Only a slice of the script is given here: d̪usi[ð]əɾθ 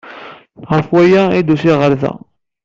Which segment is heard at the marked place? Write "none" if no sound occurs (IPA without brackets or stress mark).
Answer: ʁ